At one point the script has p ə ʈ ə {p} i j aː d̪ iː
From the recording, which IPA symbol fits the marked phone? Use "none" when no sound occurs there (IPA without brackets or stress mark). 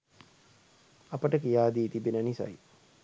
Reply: k